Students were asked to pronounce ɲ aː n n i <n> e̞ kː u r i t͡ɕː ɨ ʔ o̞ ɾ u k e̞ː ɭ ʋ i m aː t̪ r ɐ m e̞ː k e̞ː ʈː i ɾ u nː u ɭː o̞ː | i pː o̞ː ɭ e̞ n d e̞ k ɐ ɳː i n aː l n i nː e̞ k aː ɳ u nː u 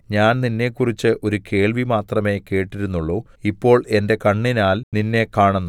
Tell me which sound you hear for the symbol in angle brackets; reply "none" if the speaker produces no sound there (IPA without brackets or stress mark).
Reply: nː